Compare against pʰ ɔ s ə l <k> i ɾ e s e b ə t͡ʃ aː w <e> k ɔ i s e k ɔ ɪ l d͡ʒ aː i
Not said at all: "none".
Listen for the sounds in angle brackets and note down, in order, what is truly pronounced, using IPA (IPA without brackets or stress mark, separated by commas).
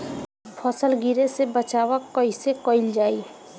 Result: ɡ, a